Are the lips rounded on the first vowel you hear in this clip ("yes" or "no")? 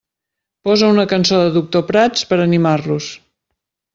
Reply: yes